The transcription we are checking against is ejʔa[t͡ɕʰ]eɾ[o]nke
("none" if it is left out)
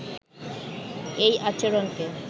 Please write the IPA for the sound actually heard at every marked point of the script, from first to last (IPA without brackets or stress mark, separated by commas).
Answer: t͡ɕ, o